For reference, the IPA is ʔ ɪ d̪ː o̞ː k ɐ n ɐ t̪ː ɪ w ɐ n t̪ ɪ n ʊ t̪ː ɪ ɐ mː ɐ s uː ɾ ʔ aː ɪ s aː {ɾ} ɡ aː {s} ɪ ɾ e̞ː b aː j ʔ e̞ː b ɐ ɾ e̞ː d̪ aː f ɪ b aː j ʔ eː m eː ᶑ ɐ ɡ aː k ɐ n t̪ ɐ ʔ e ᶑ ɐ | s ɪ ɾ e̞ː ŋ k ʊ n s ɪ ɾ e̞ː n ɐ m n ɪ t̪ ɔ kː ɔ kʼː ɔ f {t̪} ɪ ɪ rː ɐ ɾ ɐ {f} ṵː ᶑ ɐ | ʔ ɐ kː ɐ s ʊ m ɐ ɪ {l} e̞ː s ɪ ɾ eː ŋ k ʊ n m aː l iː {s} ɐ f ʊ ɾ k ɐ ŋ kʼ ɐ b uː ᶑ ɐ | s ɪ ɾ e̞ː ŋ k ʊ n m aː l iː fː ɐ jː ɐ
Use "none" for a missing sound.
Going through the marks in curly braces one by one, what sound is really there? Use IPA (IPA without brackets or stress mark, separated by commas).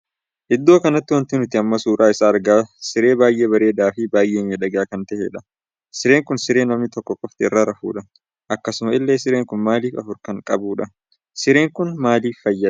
ɾ, s, t̪, f, lː, f